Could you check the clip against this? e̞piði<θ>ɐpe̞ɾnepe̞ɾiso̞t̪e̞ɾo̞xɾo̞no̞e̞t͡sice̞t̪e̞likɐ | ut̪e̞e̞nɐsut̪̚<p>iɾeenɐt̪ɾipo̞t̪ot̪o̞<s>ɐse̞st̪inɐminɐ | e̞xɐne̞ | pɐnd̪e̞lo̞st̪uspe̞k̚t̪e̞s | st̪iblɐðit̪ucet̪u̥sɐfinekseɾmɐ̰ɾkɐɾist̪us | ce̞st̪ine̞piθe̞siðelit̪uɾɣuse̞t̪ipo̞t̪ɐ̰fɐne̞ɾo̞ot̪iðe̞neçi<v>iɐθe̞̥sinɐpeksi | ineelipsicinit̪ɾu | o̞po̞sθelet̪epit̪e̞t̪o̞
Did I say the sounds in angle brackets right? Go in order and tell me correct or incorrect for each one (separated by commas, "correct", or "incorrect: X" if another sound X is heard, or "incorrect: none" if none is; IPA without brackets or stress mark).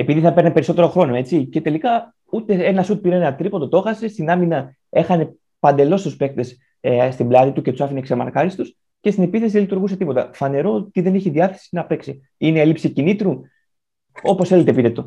correct, correct, incorrect: x, incorrect: ð